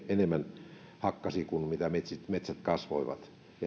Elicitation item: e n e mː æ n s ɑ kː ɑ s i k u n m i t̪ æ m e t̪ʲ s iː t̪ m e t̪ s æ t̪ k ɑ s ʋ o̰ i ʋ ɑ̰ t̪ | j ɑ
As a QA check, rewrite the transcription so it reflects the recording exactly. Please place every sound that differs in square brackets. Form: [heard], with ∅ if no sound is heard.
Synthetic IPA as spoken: e n e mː æ n [h] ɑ kː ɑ s i k u n m i t̪ æ m e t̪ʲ s [i] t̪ m e t̪ s æ t̪ k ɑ s ʋ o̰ i ʋ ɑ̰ t̪ | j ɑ